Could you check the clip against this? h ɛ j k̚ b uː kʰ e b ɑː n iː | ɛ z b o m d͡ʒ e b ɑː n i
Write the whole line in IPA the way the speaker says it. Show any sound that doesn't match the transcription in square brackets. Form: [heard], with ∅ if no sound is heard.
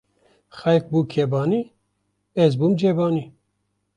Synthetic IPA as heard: [x] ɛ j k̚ b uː kʰ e b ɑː n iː | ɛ z b [u] m d͡ʒ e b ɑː n i